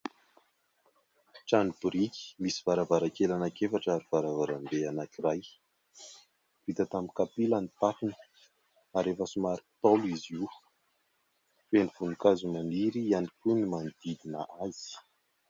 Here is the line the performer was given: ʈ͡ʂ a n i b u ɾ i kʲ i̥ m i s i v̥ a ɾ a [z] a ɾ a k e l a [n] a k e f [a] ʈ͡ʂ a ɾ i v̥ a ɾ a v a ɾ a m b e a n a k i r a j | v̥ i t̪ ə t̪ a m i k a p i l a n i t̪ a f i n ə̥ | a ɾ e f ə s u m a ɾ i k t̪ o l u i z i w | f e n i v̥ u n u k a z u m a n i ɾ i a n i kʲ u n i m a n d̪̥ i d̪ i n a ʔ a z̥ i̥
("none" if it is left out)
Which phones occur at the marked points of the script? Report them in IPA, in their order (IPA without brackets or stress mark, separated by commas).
v, n, a